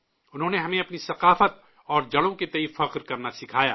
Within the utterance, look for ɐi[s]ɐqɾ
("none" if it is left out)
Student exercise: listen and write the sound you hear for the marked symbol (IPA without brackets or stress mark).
f